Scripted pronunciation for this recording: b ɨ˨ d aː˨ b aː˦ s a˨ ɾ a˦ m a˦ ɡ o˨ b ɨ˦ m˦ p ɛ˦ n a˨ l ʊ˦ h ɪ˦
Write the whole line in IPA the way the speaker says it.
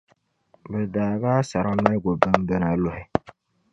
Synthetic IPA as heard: b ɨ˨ d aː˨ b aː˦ s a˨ ɾ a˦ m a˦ ɡ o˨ b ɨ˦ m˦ b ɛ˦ n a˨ l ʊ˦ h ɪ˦